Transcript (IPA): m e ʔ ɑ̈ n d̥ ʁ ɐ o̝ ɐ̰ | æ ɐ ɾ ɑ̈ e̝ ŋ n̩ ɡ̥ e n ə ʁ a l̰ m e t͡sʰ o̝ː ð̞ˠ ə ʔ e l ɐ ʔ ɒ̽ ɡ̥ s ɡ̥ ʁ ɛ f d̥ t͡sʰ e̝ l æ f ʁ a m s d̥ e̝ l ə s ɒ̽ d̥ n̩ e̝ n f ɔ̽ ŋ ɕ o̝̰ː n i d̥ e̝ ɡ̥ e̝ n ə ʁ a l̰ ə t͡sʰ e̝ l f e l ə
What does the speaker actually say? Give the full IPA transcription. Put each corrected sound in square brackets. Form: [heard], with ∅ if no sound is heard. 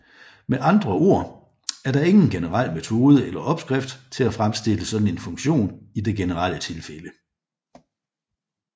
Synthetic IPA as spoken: m e ʔ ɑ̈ n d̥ ʁ ɐ o̝ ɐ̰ | æ ɐ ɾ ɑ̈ e̝ ŋ n̩ ɡ̥ e n ə ʁ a l̰ m e t͡sʰ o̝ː ð̞ˠ ə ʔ e l ɐ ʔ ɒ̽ [b̥] s ɡ̥ ʁ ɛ f d̥ t͡sʰ e̝ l æ f ʁ a m s d̥ e̝ l ə s ɒ̽ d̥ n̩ e̝ n f ɔ̽ ŋ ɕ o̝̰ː n i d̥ e̝ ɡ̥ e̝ n ə ʁ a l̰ ə t͡sʰ e̝ l f e l ə